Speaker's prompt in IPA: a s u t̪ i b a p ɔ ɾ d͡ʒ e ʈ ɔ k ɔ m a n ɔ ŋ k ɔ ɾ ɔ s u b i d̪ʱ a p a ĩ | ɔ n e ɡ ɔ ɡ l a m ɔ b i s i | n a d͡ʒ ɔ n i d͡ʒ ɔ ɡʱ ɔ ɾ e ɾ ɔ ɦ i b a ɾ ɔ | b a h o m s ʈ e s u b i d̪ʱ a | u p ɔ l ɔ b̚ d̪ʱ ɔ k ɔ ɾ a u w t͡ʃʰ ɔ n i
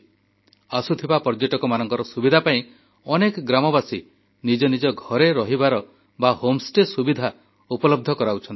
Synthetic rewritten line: a s u t̪ʰ i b a p ɔ ɾ d͡ʒ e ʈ ɔ k ɔ m a n ɔ ŋ k ɔ ɾ ɔ s u b i d̪ʱ a p a ĩ | ɔ n e k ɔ ɡ ɾ a m ɔ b a s i | n i d͡ʒ ɔ n i d͡ʒ ɔ ɡʱ ɔ ɾ e ɾ ɔ ɦ i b a ɾ ɔ | b a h o m s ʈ e s u b i d̪ʱ a | u p ɔ l ɔ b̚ d̪ʱ ɔ k ɔ ɾ a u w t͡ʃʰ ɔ n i

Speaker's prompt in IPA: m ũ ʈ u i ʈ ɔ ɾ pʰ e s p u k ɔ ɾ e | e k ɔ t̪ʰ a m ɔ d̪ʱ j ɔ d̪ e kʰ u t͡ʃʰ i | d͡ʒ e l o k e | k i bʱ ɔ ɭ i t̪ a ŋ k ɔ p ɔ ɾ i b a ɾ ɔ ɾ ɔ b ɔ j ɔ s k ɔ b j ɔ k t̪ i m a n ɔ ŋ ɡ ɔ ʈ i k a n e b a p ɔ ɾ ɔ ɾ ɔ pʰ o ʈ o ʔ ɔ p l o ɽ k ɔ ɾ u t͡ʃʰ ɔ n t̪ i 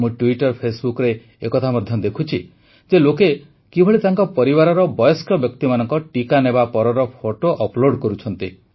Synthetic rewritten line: m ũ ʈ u i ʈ ɔ ɾ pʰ e s b u k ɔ ɾ e | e k ɔ t̪ʰ a m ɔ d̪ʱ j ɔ d̪ e kʰ u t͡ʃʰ i | d͡ʒ e l o k e | k i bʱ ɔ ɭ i t̪ a ŋ k ɔ p ɔ ɾ i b a ɾ ɔ ɾ ɔ b ɔ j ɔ s k ɔ b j ɔ k t̪ i m a n ɔ ŋ k ɔ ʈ i k a n e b a p ɔ ɾ ɔ ɾ ɔ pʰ o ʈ o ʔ ɔ p l o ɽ k ɔ ɾ u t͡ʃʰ ɔ n t̪ i

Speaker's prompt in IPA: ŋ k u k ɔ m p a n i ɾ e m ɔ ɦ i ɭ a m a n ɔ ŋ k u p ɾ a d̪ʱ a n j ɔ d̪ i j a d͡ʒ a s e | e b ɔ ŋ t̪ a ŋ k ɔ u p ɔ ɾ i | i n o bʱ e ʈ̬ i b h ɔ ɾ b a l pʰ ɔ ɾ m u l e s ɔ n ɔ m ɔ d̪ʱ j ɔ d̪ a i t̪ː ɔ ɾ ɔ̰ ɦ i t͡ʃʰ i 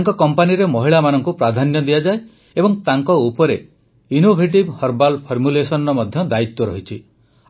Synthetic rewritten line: ŋ k ɔ k ɔ m p a n i ɾ e m ɔ ɦ i ɭ a m a n ɔ ŋ k u p ɾ a d̪ʱ a n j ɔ d̪ i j a d͡ʒ a e | e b ɔ ŋ t̪ a ŋ k ɔ u p ɔ ɾ e | i n o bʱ e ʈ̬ i b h ɔ ɾ b a l pʰ ɔ ɾ m u l e s ɔ n ɔ m ɔ d̪ʱ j ɔ d̪ a i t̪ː ɔ ɾ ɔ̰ ɦ i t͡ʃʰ i

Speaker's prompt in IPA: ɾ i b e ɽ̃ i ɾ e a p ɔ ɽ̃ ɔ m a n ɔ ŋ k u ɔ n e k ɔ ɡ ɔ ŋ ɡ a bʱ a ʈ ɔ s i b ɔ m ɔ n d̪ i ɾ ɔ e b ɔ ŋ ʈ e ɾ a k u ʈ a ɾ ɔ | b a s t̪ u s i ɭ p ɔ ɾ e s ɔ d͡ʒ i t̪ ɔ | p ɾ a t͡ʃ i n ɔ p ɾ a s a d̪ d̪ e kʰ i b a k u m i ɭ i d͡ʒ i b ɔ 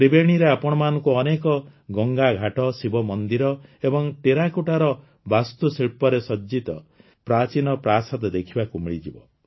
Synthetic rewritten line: ɾ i b e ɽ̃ i ɾ e a p ɔ ɽ̃ ɔ m a n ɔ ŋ k u ɔ n e k ɔ ɡ ɔ ŋ ɡ a ɡʱ a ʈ ɔ s i b ɔ m ɔ n d̪ i ɾ ɔ e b ɔ ŋ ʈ e ɾ a k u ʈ a ɾ ɔ | b a s t̪ u s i ɭ p ɔ ɾ e s ɔ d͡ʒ i t̪ ɔ | p ɾ a t͡ʃ i n ɔ p ɾ a s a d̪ d̪ e kʰ i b a k u m i ɭ i d͡ʒ i b ɔ

